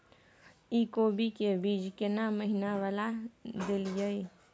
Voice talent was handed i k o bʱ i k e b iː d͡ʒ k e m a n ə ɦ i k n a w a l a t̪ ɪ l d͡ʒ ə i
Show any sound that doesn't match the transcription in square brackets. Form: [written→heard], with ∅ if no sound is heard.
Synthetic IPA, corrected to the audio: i k o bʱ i k e b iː d͡ʒ k e [m→n] a [n→m] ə ɦ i [k→∅] n a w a l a [t̪→d̪] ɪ l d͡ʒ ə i